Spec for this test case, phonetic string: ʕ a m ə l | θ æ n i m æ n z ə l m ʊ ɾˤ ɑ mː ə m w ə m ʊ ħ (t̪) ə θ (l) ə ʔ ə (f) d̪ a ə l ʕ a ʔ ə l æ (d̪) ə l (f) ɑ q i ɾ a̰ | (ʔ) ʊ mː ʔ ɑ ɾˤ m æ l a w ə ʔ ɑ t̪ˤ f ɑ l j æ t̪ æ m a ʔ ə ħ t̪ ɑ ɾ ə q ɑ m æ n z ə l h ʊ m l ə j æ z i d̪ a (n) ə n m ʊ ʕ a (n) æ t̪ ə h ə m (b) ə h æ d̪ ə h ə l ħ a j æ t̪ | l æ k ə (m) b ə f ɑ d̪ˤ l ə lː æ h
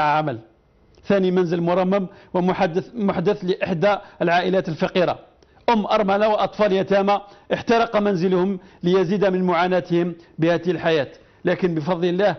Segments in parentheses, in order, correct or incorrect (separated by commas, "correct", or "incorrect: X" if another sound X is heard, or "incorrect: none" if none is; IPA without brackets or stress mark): incorrect: d̪, correct, incorrect: ħ, incorrect: t̪, correct, correct, incorrect: m, correct, correct, incorrect: n